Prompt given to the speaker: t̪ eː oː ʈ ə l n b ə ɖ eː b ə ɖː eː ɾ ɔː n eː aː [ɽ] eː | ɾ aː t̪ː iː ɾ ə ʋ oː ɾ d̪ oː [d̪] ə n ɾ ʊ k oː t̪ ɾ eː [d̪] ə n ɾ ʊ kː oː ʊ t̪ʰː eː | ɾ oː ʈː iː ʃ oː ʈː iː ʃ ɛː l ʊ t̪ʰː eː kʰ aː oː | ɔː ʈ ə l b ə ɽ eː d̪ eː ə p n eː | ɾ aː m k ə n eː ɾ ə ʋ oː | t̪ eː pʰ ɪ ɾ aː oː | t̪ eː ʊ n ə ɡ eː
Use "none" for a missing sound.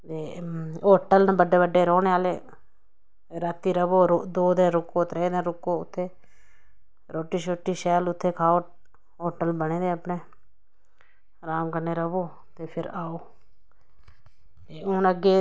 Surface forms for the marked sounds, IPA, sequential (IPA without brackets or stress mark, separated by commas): l, d̪, d̪